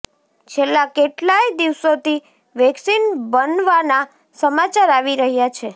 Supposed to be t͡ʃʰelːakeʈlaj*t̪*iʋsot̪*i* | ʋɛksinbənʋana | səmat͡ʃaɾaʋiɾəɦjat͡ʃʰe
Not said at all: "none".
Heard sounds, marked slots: d̪, i

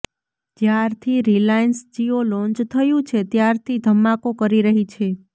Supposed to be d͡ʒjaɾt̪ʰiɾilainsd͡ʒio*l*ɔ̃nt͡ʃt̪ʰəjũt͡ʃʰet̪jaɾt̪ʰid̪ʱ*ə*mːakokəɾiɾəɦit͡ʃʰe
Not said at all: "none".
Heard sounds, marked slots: l, ə

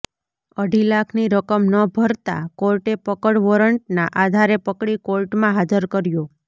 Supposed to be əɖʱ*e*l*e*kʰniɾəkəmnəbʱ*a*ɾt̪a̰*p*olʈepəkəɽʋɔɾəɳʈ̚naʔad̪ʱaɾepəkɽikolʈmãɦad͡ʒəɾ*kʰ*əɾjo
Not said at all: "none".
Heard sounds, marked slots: i, a, ə, k, k

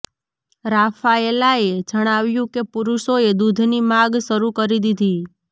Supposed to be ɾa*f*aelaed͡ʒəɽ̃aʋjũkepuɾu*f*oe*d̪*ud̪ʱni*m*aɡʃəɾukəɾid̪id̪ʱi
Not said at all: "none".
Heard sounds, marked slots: f, ʃ, d̪, m

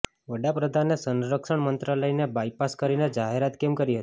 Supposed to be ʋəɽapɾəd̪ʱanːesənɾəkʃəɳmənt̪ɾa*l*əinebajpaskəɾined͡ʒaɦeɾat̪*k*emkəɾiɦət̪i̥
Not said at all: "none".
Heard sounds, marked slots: l, k

